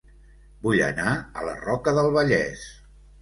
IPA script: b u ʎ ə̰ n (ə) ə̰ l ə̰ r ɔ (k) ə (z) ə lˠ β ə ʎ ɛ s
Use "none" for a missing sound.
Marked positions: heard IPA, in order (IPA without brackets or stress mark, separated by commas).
a, k, ð